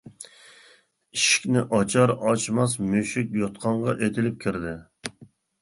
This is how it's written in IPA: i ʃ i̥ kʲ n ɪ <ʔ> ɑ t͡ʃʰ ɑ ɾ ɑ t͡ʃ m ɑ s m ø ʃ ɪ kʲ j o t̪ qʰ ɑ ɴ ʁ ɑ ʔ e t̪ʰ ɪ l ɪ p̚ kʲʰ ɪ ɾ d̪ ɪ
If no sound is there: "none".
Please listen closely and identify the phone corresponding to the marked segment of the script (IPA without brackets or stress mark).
ʔ